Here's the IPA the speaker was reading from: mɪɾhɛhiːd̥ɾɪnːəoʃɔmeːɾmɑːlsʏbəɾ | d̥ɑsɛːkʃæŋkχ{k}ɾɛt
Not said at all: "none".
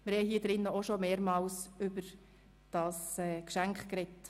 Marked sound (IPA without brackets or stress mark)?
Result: k